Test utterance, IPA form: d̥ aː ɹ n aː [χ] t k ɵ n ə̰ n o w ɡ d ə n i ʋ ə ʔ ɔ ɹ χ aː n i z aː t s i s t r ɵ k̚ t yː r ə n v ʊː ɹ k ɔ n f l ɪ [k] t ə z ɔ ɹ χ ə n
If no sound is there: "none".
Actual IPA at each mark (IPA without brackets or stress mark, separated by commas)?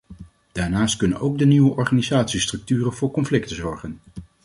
s, k